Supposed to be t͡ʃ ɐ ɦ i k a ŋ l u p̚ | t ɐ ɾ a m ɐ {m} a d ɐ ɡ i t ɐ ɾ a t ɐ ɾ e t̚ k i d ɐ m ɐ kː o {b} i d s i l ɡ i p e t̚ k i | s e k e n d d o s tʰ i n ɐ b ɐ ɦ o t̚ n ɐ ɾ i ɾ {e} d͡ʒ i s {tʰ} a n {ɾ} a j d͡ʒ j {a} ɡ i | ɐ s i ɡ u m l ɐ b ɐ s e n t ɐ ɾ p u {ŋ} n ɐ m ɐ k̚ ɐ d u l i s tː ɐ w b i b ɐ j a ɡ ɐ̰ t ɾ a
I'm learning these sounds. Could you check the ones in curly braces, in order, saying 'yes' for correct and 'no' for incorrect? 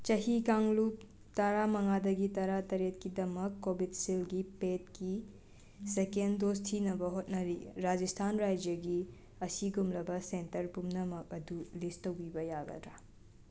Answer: no, yes, no, yes, yes, no, no

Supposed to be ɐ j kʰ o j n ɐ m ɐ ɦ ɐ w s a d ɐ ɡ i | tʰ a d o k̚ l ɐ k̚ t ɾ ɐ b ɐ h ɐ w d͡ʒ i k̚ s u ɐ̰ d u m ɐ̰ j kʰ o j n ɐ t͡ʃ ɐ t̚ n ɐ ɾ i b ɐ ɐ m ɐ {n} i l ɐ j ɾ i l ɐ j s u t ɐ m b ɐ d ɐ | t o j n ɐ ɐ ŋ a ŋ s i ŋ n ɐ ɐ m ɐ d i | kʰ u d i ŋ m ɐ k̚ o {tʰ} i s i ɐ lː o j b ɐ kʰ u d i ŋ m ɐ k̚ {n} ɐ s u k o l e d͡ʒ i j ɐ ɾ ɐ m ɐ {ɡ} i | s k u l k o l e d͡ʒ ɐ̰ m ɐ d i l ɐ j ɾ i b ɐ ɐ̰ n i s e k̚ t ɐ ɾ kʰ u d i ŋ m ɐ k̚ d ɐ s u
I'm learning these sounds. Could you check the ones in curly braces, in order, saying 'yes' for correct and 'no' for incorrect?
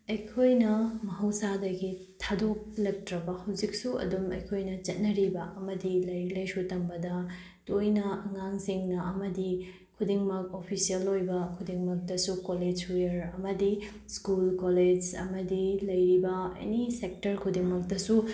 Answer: no, no, no, no

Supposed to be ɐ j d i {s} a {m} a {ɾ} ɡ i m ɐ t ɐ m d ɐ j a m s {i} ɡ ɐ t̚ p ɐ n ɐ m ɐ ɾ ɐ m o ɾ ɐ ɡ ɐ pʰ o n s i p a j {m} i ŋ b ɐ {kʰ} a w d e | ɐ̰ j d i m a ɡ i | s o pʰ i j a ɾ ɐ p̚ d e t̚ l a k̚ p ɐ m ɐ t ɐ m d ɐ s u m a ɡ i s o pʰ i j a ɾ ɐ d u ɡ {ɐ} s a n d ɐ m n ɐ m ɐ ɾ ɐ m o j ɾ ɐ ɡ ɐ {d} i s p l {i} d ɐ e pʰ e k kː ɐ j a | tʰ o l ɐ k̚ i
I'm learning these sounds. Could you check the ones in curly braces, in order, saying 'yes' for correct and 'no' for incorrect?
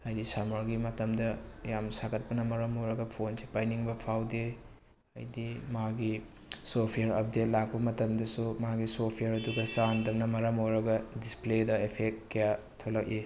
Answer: yes, yes, yes, no, no, no, yes, yes, no

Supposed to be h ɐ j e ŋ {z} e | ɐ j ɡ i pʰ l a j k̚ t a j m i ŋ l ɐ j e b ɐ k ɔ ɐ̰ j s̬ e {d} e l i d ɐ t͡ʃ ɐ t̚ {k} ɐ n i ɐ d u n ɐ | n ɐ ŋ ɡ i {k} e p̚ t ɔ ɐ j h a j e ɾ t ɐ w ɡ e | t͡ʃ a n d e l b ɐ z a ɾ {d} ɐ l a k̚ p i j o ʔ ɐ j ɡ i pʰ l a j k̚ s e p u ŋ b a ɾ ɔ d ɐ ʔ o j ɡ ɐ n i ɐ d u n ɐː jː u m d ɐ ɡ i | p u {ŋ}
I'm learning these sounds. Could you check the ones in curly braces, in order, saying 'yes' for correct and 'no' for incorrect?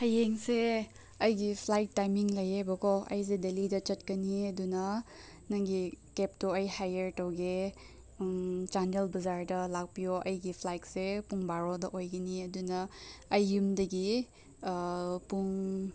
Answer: no, yes, yes, yes, yes, yes

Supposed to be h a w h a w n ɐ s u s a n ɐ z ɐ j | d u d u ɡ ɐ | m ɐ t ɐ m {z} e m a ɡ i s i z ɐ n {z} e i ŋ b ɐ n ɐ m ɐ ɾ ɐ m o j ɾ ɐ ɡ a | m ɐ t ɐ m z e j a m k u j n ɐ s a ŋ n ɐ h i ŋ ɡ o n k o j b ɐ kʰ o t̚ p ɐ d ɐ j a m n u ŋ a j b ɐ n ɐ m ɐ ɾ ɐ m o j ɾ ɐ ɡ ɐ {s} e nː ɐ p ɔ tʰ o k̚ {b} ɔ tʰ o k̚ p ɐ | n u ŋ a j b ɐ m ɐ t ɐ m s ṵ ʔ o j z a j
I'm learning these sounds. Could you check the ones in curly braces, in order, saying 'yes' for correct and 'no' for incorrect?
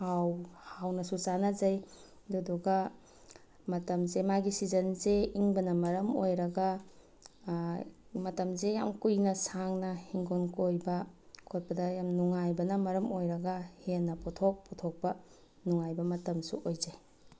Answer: yes, yes, no, no

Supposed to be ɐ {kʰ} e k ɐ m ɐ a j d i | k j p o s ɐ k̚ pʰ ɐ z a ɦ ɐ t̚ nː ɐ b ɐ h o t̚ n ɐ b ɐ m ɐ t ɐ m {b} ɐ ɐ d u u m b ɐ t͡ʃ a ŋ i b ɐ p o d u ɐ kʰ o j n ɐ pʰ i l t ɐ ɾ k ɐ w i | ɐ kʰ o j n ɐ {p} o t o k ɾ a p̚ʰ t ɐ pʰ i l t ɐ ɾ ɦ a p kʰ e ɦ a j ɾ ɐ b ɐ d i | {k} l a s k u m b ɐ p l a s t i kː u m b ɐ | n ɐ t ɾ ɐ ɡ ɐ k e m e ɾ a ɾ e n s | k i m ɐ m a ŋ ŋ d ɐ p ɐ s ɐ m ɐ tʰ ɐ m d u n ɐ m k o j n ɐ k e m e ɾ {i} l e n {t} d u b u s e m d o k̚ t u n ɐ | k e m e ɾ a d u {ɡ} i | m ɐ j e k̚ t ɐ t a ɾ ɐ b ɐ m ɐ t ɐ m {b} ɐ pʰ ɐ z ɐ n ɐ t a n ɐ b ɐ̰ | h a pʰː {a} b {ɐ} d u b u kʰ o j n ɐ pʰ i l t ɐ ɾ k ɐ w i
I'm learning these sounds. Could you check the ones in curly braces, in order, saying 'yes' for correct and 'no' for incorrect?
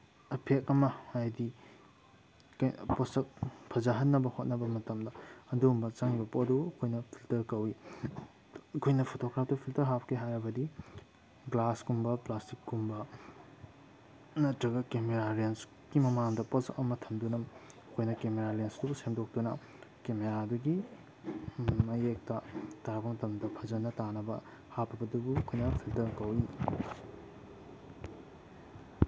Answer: no, no, no, no, no, no, yes, no, no, yes

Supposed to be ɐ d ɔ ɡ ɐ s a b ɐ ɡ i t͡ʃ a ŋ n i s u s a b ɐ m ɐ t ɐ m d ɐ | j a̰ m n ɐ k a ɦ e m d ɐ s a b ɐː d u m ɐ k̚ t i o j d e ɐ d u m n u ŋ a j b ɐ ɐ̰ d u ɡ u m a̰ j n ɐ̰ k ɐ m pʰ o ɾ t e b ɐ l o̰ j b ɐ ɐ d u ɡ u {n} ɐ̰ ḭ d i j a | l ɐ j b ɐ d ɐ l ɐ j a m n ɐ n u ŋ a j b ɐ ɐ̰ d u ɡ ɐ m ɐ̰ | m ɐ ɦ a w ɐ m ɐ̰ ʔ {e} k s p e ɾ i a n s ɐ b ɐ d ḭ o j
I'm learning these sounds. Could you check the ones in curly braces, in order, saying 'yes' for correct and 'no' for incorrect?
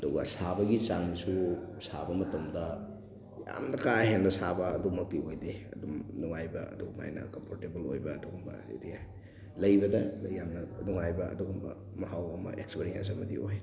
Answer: no, yes

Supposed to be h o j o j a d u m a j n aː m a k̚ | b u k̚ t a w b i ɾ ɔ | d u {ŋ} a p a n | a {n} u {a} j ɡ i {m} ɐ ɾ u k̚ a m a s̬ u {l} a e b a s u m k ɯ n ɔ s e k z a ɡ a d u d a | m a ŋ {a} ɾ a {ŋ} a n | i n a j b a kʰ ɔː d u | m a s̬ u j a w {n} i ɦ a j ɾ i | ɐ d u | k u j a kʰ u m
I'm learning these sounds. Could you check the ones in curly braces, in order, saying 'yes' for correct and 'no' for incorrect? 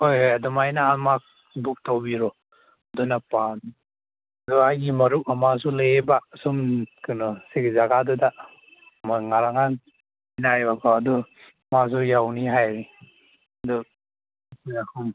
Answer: no, no, yes, yes, yes, yes, yes, yes

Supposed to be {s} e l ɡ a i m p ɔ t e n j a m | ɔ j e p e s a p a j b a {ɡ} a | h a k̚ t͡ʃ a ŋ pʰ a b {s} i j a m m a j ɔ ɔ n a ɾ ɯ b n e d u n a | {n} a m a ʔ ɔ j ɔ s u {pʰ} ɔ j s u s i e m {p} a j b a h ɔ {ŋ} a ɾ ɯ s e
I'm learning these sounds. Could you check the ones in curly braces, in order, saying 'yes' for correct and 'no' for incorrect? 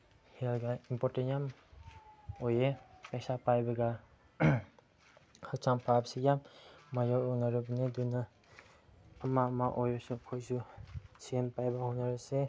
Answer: no, yes, yes, no, no, yes, no

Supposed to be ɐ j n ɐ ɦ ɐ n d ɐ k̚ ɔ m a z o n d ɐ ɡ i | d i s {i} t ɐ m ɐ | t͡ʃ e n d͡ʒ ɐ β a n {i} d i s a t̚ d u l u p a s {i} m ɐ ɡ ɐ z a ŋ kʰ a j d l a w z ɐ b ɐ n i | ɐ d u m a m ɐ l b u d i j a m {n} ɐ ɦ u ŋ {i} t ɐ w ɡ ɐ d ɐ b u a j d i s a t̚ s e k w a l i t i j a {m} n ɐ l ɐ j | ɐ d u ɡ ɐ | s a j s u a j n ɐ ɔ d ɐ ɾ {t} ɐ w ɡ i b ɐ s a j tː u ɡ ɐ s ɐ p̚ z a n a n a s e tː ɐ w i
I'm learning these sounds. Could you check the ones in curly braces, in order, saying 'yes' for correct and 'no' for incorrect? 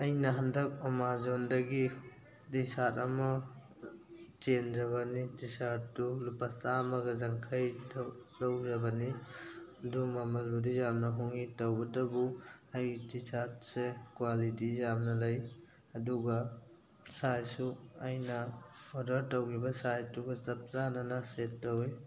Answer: no, yes, no, yes, yes, yes, yes

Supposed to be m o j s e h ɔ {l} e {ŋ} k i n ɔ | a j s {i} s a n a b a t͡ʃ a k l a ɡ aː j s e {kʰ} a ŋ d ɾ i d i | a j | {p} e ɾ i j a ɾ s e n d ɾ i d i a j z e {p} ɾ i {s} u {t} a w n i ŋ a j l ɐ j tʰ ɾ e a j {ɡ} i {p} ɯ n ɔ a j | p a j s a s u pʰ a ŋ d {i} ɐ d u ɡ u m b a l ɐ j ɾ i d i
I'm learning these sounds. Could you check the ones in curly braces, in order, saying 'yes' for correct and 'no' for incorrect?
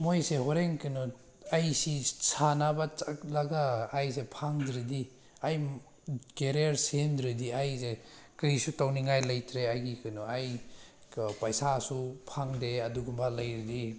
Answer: no, yes, yes, no, no, no, yes, yes, yes, no, no

